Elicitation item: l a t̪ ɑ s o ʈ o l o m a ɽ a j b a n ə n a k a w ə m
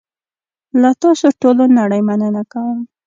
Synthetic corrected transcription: l a t̪ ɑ s o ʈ o l o n a ɽ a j m a n ə n a k a w ə m